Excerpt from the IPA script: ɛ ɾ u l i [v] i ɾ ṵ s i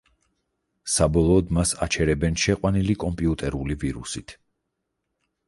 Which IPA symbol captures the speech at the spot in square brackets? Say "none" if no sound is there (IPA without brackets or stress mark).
v